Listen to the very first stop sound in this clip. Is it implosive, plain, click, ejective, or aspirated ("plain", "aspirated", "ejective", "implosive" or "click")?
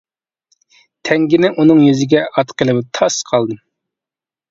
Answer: aspirated